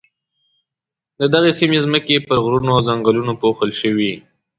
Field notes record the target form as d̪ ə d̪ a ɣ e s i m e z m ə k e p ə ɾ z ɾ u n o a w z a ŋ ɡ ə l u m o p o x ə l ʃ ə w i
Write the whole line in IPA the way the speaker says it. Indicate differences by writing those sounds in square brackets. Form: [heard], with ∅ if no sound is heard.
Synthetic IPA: d̪ ə d̪ a ɣ e s i m e z m ə k e p ə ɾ [ɣ] ɾ u n o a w z a ŋ ɡ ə l u [n] o p o x ə l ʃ ə w i